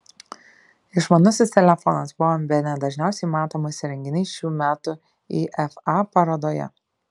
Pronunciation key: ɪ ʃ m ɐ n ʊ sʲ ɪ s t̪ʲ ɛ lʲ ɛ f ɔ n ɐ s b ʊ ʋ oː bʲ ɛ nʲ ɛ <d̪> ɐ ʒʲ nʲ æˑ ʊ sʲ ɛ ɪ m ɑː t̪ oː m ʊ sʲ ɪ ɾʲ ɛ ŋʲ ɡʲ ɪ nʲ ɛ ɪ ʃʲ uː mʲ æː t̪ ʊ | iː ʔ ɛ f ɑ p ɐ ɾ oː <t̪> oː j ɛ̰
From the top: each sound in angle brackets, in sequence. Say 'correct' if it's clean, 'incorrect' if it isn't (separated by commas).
correct, incorrect